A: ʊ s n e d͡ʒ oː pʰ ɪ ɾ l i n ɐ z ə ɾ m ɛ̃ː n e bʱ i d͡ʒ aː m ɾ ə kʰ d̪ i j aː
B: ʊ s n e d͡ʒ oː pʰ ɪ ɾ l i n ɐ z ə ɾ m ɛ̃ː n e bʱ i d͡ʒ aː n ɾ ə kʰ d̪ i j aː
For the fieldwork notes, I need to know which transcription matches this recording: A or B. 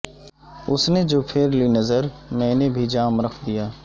A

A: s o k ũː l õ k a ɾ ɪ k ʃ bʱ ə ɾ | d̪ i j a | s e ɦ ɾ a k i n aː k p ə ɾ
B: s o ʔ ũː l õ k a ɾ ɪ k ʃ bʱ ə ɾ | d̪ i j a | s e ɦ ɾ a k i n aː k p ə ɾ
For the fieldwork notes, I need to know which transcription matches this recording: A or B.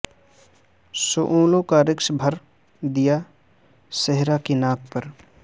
B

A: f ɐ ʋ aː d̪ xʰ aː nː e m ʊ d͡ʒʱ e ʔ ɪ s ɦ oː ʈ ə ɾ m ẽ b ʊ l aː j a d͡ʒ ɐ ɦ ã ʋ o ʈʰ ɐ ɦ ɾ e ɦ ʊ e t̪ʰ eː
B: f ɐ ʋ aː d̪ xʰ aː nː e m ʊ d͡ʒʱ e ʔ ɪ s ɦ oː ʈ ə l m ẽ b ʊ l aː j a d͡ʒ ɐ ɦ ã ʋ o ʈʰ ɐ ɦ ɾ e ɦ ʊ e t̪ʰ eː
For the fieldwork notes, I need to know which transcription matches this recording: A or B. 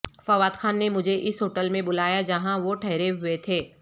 B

